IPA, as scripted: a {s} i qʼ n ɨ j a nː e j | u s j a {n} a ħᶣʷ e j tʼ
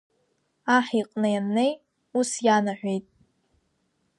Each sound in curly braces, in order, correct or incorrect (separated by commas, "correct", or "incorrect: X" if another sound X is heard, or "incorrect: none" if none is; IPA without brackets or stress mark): incorrect: ħ, correct